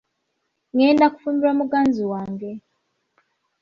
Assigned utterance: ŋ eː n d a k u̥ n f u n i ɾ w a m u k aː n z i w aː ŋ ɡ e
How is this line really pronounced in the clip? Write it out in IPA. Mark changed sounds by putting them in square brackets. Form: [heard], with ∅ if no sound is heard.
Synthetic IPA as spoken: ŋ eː n d a k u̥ [∅] f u [m] i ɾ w a m u [ɡ] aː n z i w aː ŋ ɡ e